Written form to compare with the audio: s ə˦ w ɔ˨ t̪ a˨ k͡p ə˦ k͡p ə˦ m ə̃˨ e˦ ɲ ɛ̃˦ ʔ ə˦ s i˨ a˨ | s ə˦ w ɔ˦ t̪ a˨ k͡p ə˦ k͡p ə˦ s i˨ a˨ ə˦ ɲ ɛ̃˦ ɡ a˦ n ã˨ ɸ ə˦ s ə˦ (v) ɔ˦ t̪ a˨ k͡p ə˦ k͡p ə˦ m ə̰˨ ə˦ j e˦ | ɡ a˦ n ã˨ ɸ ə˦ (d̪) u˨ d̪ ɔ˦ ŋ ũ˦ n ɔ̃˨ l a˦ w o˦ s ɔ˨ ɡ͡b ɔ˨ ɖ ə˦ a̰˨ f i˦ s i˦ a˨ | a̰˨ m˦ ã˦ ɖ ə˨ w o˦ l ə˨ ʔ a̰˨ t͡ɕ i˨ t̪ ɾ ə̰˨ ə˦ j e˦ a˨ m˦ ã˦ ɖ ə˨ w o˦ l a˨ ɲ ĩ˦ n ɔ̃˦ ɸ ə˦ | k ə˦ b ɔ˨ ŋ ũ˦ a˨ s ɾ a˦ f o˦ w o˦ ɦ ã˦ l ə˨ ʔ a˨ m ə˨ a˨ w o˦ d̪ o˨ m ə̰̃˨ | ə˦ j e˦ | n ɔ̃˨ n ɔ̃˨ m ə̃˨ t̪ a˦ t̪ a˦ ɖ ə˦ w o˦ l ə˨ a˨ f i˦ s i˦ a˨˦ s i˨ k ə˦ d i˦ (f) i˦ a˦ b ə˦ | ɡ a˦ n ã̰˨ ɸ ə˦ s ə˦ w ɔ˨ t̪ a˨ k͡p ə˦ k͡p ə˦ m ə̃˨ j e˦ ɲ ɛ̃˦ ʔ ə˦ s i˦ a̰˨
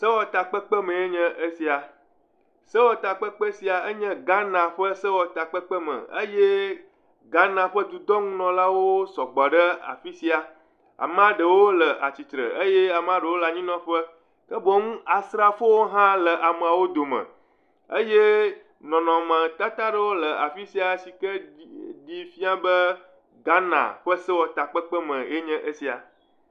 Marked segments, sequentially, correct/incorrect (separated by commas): incorrect, correct, correct